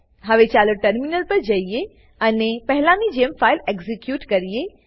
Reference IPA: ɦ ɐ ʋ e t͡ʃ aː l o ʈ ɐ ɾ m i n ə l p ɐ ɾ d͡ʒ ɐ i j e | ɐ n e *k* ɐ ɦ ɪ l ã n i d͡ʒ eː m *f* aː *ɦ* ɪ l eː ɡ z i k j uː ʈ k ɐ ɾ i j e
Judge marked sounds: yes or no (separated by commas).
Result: no, yes, no